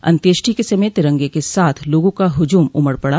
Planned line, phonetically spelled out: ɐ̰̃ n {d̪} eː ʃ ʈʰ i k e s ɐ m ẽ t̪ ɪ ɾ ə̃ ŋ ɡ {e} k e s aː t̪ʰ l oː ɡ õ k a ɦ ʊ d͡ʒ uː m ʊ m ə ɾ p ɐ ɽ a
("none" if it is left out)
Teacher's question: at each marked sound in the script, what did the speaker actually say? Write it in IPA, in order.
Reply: t̪, e

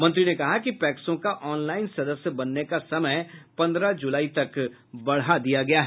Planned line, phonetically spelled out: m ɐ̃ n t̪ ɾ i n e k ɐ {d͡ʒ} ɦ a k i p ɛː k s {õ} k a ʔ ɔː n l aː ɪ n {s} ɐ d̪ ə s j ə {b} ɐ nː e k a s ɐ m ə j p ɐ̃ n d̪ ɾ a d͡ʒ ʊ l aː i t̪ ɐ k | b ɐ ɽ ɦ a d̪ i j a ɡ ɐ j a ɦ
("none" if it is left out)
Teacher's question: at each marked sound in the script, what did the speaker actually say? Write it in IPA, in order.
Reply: none, õ, s, b

